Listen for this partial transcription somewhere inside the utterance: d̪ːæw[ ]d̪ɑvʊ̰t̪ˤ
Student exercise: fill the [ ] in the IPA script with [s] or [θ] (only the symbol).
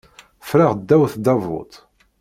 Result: θ